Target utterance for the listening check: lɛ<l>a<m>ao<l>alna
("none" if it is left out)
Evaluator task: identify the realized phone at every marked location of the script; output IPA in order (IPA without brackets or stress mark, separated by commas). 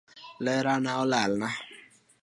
ɾ, n, l